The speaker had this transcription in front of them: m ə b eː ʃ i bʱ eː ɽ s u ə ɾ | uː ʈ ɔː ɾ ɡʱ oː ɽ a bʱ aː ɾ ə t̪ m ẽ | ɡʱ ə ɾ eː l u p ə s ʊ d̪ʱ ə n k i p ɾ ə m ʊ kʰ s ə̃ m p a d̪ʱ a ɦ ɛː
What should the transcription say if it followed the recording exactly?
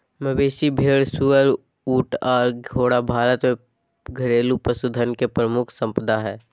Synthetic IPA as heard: m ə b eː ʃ i bʱ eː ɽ s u ə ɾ | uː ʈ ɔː ɾ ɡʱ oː ɽ a bʱ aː ɾ ə t̪ m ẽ | ɡʱ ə ɾ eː l u p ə s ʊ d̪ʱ ə n k e p ɾ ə m ʊ kʰ s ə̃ m p ə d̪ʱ a ɦ ɛː